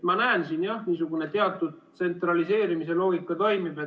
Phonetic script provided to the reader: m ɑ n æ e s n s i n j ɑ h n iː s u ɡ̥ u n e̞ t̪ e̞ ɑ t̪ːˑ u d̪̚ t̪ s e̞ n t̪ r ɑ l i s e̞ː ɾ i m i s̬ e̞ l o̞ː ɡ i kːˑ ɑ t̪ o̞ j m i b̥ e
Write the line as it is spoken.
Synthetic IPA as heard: m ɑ n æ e n s i n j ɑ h n iː s u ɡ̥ u n e̞ t̪ e̞ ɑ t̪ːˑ u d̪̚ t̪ s e̞ n t̪ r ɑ l i s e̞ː ɾ i m i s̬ e̞ l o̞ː ɡ i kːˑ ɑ t̪ o̞ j m i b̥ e